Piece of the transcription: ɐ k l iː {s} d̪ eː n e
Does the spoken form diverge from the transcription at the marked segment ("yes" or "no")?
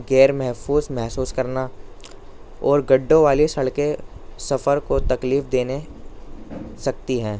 yes